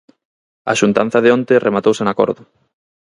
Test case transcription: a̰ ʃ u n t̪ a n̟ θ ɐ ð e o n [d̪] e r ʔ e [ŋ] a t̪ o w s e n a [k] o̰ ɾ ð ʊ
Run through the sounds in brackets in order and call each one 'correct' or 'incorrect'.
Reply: incorrect, incorrect, correct

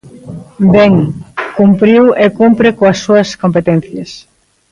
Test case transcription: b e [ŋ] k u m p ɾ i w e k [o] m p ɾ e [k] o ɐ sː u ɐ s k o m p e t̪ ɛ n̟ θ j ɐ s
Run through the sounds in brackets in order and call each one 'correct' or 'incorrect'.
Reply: correct, incorrect, correct

